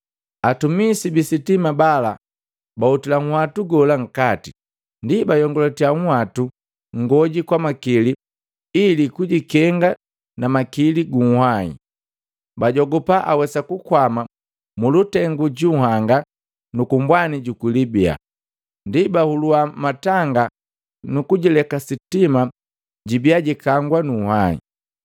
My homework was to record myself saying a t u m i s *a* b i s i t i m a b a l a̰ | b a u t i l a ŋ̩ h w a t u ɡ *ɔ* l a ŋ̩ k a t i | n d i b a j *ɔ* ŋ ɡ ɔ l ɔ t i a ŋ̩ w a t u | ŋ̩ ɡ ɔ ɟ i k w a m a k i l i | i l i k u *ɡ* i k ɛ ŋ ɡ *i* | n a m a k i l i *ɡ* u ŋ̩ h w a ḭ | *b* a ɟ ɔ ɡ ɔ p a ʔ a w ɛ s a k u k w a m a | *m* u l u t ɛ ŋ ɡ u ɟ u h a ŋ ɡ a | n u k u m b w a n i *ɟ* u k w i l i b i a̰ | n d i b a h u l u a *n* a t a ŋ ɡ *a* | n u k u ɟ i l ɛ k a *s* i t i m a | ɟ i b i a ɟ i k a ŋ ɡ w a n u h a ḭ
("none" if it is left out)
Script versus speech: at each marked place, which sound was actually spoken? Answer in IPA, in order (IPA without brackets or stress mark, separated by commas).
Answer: i, ɔ, ɔ, ɟ, a, ɡ, b, m, ɟ, m, a, s